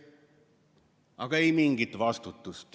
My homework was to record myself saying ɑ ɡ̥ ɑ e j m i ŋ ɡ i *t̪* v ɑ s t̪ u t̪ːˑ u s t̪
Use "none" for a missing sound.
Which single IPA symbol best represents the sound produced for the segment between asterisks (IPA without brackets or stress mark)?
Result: t̪